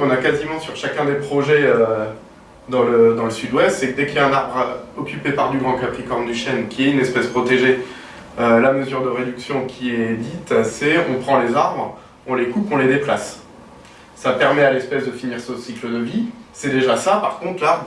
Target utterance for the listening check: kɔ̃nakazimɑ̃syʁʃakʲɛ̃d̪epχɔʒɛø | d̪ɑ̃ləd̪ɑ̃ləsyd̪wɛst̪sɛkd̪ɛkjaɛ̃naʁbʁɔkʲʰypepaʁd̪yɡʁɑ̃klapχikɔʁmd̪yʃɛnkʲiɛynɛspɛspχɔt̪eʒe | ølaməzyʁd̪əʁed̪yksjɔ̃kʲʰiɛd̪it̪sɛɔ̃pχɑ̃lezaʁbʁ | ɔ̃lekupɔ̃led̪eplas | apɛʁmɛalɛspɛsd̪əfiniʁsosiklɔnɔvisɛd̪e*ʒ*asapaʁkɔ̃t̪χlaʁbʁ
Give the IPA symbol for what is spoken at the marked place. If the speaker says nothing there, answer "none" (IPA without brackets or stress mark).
ʒ